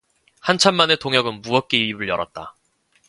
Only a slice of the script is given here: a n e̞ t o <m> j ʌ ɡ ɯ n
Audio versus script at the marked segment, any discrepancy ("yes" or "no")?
yes